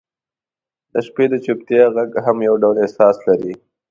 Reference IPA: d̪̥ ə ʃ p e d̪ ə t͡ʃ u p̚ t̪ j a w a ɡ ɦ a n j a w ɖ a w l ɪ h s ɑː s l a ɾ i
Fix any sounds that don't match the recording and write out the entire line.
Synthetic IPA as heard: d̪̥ ə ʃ p e d̪ ə t͡ʃ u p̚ t̪ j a ɣ a ɡ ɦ a m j a w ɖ a w l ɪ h s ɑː s l a ɾ i